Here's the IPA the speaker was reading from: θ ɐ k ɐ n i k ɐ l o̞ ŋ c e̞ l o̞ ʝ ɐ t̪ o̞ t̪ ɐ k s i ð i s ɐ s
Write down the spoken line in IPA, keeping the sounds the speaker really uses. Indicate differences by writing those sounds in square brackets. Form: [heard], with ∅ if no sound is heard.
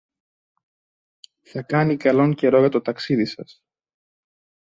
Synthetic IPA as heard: θ ɐ k ɐ n i k ɐ l o̞ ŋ c e̞ [ɾ] o̞ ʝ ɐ t̪ o̞ t̪ ɐ k s i ð i s ɐ s